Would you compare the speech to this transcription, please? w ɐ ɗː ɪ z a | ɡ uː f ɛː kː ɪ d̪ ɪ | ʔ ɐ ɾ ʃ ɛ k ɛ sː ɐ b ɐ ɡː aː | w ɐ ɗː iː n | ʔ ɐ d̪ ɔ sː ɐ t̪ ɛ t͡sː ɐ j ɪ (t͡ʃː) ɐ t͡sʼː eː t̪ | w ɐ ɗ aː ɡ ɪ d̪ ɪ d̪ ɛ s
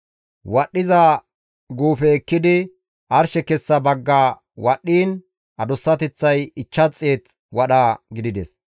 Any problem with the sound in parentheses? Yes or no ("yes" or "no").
no